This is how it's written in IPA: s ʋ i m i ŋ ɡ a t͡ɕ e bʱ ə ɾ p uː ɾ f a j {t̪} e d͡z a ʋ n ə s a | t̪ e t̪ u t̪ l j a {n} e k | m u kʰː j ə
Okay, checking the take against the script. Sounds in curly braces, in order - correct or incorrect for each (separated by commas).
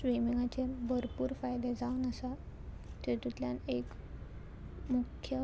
incorrect, correct